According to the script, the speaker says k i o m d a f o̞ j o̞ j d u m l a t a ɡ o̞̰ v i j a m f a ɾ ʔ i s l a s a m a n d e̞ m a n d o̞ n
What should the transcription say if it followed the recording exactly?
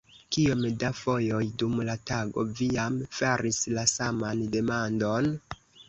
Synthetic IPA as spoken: k i o m d a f o̞ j o̞ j d u m l a t a ɡ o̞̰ v i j a m f a ɾ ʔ i s l a s a m a n d e̞ m a n d o̞ n